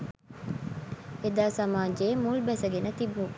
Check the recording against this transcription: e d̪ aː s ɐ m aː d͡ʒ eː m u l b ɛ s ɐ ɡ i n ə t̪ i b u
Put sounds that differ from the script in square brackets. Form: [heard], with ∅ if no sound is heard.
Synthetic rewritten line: e d̪ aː s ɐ m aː d͡ʒ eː m u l b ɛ s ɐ ɡ [e] n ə t̪ i b u